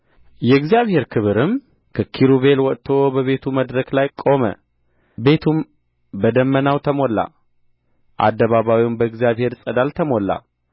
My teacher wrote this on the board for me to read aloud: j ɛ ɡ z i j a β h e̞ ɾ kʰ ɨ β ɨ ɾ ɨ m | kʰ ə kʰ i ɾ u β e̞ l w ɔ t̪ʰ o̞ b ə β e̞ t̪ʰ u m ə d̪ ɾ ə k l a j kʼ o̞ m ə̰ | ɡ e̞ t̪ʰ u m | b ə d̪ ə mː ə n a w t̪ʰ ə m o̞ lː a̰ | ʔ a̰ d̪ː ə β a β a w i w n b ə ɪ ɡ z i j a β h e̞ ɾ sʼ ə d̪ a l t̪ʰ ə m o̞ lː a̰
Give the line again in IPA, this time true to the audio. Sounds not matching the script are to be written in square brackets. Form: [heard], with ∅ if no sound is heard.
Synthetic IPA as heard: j ɛ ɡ z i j a β h e̞ ɾ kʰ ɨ β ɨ ɾ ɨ m | kʰ ə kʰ i ɾ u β e̞ l w ɔ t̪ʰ o̞ b ə β e̞ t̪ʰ u m ə d̪ ɾ ə k l a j kʼ o̞ m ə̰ | [b] e̞ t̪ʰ u m | b ə d̪ ə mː ə n a w t̪ʰ ə m o̞ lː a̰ | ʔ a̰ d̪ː ə β a β a w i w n b ə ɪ ɡ z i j a β h e̞ ɾ sʼ ə d̪ a l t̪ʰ ə m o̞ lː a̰

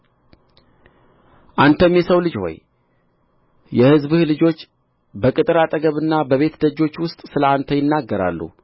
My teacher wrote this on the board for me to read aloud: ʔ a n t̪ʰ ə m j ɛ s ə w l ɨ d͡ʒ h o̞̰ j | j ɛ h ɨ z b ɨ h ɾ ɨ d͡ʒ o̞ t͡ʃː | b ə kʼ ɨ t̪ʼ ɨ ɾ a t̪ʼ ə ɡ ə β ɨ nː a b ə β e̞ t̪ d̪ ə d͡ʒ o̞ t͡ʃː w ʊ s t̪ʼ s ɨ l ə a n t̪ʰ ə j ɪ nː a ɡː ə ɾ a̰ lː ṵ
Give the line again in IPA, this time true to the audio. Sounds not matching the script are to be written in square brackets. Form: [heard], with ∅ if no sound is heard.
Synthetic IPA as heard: ʔ a n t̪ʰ ə m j ɛ s ə w l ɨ d͡ʒ h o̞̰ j | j ɛ h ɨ z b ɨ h [l] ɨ d͡ʒ o̞ t͡ʃː | b ə kʼ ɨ t̪ʼ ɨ ɾ a t̪ʼ ə ɡ ə β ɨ nː a b ə β e̞ t̪ d̪ ə d͡ʒ o̞ t͡ʃː w ʊ s t̪ʼ s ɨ l ə a n t̪ʰ ə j ɪ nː a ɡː ə ɾ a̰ lː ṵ

